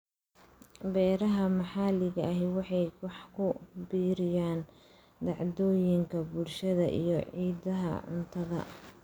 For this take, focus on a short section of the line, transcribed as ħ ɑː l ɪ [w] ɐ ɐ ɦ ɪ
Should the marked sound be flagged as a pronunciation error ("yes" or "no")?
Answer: yes